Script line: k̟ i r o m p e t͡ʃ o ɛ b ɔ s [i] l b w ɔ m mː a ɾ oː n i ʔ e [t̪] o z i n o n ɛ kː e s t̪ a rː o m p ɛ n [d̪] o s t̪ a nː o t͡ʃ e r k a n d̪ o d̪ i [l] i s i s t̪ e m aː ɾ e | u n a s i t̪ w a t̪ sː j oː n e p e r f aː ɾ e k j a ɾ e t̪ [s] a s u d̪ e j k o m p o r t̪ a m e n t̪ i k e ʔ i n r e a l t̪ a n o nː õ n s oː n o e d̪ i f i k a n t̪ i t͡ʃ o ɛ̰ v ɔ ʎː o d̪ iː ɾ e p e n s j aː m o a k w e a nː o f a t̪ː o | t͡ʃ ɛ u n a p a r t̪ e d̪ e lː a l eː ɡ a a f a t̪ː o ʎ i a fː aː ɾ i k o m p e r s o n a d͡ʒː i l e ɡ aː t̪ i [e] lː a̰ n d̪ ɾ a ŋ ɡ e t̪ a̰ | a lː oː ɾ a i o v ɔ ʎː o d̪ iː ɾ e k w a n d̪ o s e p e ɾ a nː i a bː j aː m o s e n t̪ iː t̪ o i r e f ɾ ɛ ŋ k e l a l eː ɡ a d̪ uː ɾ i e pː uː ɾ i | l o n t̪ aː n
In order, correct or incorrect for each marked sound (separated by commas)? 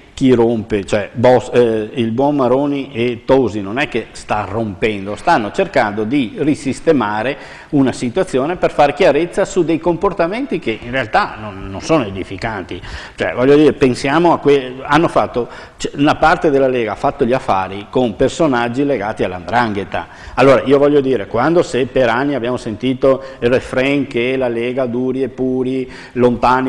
correct, correct, correct, incorrect, incorrect, incorrect